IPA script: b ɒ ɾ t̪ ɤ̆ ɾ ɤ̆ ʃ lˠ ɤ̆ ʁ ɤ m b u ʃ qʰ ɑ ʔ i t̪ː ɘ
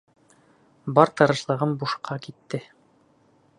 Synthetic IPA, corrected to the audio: b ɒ ɾ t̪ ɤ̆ ɾ ɤ̆ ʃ lˠ ɤ̆ ʁ ɤ m b u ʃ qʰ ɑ k i t̪ː ɘ